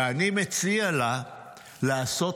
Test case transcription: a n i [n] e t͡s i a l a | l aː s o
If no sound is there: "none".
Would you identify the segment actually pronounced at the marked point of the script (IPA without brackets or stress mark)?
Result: m